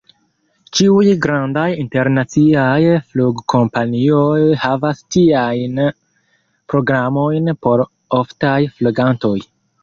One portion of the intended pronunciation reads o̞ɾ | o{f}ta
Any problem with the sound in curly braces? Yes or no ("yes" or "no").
no